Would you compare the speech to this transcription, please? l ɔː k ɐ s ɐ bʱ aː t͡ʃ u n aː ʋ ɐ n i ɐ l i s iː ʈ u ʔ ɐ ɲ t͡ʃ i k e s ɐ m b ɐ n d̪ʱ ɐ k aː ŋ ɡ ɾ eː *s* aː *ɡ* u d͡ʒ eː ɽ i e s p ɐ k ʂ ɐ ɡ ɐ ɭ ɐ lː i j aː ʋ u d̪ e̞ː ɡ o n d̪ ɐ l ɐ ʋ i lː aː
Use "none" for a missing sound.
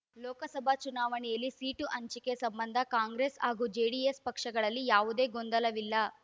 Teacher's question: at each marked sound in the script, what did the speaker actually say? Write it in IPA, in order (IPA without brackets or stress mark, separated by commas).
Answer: s, ɡ